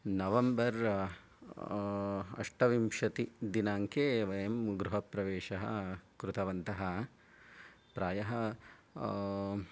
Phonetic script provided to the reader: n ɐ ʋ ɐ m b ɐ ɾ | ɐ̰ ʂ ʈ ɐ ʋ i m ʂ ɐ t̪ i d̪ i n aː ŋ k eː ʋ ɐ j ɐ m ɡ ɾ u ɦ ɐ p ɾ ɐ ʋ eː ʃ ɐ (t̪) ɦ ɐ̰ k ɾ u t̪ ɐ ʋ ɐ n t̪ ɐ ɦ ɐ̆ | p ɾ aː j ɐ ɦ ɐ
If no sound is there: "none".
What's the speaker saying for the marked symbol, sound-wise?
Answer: none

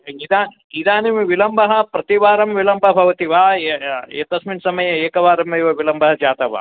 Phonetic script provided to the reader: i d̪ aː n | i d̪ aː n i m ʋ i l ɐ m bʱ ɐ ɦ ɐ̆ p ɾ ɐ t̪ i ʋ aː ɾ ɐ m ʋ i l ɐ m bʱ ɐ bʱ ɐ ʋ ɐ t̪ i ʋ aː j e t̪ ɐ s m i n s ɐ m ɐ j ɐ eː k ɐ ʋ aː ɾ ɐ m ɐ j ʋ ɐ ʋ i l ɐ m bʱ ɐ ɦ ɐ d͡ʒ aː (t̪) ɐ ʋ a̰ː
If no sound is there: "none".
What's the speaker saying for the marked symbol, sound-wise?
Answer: t̪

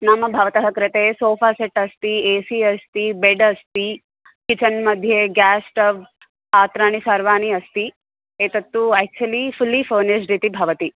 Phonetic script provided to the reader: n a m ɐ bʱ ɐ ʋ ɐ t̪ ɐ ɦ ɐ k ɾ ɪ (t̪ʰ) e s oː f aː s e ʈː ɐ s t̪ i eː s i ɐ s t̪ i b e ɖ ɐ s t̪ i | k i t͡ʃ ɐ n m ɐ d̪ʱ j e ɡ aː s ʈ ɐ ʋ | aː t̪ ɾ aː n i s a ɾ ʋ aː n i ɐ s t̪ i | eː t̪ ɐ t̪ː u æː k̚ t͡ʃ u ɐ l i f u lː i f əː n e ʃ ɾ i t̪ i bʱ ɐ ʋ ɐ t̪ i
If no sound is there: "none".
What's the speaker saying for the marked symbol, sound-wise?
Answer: t̪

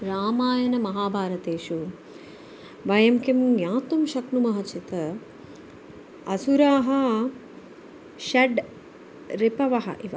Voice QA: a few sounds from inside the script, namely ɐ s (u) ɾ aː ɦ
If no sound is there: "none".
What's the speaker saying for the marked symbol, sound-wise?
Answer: u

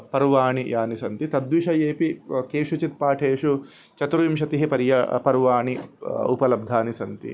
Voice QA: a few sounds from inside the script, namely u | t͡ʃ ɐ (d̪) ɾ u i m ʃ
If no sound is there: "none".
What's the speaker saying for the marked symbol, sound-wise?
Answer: t̪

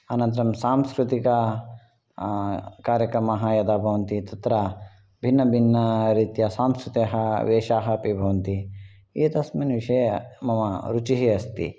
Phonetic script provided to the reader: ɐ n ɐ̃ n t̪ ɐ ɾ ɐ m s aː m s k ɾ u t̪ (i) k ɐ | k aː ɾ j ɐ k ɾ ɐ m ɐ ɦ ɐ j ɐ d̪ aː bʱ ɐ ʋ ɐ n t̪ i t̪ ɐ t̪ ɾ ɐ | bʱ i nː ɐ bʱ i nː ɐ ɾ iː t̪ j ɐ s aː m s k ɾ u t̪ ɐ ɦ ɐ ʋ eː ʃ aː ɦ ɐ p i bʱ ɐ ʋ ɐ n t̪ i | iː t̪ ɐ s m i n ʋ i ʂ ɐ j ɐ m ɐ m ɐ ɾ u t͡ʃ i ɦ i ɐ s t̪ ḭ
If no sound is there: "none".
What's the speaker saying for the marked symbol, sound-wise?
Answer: i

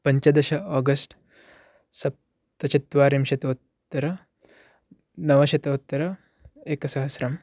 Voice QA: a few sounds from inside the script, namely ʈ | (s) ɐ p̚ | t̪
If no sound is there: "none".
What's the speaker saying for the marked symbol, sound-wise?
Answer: s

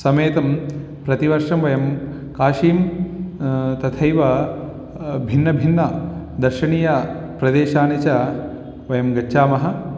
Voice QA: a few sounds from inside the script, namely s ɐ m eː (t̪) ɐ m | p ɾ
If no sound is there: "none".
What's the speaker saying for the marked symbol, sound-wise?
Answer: t̪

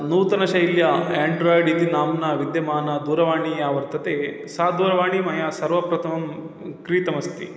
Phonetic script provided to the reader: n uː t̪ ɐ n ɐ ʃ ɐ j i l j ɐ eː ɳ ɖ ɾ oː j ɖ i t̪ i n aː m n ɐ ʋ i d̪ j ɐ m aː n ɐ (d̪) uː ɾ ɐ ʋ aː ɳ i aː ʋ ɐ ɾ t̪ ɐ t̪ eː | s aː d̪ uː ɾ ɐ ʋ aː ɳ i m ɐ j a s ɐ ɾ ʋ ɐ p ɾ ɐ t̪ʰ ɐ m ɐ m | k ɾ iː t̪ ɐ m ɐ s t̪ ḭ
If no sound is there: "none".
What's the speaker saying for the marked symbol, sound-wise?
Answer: d̪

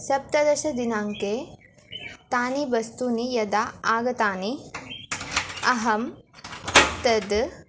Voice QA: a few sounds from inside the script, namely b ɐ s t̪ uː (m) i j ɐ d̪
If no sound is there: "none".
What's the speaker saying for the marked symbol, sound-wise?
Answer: n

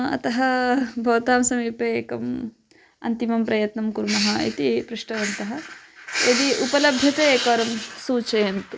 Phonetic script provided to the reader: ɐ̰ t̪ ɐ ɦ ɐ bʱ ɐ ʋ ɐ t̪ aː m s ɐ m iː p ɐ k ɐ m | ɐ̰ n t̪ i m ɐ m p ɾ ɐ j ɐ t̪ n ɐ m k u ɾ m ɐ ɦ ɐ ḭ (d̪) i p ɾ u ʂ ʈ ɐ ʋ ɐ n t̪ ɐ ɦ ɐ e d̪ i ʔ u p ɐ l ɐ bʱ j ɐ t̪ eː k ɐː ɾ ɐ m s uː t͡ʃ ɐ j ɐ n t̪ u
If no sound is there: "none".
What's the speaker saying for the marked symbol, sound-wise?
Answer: t̪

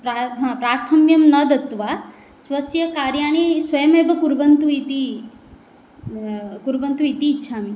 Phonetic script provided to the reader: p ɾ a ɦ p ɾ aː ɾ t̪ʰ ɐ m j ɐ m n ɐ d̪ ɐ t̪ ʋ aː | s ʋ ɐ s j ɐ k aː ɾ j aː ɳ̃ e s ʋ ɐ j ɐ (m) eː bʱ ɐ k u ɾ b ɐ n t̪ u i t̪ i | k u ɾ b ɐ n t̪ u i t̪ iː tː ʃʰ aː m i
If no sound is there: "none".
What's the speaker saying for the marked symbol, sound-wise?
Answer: m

